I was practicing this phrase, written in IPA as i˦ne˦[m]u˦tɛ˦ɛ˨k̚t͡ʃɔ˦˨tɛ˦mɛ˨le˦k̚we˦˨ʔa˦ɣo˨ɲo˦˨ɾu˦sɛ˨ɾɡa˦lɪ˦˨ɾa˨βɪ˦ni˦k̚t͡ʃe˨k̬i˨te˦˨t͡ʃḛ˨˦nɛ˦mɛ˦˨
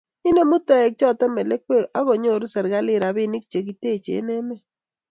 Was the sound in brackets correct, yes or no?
yes